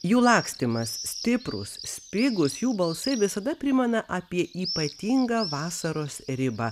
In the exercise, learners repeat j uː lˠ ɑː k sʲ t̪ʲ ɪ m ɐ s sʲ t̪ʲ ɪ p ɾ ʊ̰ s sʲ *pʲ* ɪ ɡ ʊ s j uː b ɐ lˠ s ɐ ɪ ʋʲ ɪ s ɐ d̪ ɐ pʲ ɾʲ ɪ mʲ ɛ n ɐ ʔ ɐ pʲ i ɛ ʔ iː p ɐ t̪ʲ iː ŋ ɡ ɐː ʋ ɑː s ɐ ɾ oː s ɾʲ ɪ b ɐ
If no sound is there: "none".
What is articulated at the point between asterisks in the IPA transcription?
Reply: pʲ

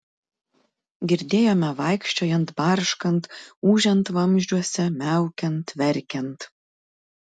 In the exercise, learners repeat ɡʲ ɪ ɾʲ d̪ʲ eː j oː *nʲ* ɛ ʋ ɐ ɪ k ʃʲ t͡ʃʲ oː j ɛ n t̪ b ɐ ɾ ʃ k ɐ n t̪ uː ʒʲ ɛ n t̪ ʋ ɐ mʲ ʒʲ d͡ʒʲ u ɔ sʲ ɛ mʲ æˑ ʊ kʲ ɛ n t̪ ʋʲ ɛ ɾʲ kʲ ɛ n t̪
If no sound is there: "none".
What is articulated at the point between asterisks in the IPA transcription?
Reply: mʲ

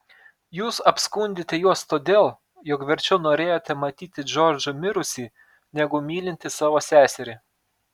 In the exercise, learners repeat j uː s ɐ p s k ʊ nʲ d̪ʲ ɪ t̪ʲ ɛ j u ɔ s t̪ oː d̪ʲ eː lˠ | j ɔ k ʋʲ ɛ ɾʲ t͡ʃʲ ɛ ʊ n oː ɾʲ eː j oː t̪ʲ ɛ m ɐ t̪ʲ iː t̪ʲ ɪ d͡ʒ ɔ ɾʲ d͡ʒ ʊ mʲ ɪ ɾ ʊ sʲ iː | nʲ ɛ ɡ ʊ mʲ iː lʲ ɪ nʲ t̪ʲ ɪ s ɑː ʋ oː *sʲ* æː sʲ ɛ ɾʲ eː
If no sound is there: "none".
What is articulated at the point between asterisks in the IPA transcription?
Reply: sʲ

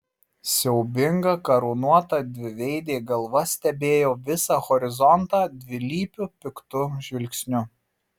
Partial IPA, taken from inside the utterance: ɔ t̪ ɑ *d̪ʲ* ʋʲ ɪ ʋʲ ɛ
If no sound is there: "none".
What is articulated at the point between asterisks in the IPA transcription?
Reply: d̪ʲ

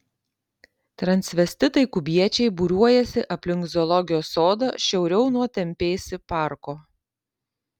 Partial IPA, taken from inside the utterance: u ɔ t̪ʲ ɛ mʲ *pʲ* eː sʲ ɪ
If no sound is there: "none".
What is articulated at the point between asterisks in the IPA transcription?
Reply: pʲ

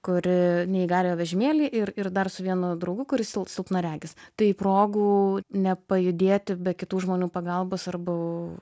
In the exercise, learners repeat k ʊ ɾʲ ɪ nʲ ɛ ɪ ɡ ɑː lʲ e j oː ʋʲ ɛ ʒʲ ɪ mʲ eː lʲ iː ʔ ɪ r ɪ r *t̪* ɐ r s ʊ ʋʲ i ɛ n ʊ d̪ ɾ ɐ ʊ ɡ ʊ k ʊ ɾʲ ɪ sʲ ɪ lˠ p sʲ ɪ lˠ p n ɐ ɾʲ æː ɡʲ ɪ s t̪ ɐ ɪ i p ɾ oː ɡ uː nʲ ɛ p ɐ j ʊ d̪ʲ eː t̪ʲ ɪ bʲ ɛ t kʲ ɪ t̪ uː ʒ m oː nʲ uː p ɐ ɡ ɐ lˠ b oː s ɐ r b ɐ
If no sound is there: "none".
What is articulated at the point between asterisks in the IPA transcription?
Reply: d̪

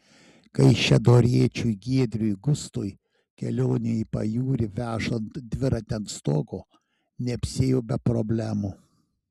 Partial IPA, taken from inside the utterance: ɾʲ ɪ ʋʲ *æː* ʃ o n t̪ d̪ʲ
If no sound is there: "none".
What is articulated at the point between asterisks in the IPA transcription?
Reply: æː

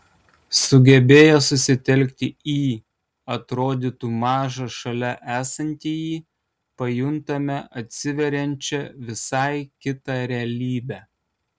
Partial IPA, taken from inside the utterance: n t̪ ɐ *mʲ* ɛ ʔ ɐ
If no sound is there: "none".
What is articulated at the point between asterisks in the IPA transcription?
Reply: mʲ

